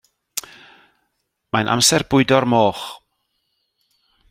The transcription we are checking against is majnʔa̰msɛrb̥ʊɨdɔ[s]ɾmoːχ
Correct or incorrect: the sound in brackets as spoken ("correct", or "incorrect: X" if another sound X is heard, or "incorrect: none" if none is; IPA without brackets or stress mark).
incorrect: none